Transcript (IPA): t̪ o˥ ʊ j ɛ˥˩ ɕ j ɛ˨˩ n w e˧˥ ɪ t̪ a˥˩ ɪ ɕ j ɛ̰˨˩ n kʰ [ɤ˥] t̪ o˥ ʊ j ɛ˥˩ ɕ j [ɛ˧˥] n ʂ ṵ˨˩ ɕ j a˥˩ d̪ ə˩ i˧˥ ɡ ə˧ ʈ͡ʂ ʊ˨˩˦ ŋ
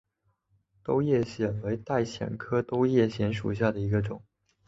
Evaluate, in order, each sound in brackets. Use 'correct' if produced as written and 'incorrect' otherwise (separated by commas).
correct, correct